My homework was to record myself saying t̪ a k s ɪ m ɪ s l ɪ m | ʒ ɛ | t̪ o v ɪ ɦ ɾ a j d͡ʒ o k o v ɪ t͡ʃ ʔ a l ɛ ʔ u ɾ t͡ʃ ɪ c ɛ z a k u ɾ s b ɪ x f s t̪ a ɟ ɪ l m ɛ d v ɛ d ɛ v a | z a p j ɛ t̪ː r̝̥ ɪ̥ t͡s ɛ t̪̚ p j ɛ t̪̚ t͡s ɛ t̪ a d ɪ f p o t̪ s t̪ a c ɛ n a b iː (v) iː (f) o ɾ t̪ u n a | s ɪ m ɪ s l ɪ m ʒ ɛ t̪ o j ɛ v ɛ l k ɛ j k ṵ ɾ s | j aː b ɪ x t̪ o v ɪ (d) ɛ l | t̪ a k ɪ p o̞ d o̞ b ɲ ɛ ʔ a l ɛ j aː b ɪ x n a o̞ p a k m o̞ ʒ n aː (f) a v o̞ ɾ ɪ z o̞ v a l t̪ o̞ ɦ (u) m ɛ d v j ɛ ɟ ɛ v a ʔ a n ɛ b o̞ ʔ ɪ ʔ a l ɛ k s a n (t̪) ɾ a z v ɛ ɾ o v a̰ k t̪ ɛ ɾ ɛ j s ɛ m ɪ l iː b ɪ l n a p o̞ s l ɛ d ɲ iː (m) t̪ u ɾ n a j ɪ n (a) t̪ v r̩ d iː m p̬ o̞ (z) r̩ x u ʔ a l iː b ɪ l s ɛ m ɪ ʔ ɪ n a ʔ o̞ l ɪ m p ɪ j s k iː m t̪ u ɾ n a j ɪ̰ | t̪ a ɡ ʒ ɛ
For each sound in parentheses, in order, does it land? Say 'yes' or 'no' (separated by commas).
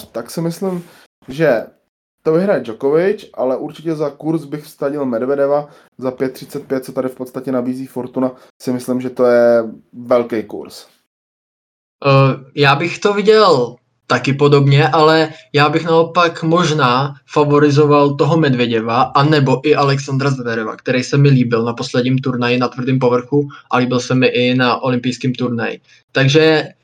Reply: no, yes, no, yes, no, no, yes, yes, no